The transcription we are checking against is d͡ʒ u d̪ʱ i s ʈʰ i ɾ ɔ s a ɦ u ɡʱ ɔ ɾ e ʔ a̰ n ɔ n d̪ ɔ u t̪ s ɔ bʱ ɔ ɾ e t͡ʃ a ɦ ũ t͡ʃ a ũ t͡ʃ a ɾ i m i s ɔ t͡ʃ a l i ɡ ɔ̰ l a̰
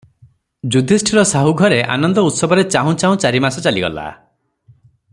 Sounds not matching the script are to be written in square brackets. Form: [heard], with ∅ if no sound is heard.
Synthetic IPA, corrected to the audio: d͡ʒ u d̪ʱ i s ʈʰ i ɾ ɔ s a ɦ u ɡʱ ɔ ɾ e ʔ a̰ n ɔ n d̪ ɔ u t̪ s ɔ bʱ ɔ ɾ e t͡ʃ a ɦ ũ t͡ʃ a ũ t͡ʃ a ɾ i m [a] s ɔ t͡ʃ a l i ɡ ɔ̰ l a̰